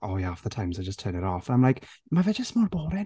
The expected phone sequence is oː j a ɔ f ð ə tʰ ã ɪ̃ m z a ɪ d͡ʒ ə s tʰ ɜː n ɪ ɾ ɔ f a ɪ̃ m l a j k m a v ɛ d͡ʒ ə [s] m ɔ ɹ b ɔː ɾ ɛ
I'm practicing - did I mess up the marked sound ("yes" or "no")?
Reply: no